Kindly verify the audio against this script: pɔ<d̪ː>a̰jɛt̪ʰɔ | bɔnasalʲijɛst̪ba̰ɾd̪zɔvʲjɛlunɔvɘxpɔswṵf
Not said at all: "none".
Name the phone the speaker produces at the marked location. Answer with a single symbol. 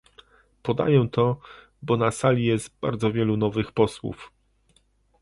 d̪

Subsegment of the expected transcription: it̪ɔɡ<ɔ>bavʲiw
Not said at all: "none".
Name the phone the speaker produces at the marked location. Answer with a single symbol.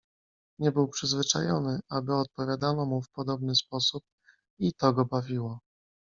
ɔ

